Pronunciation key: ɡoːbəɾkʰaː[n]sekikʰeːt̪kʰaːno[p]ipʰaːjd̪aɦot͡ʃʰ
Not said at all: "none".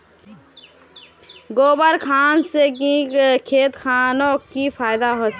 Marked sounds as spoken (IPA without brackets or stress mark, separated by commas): n, k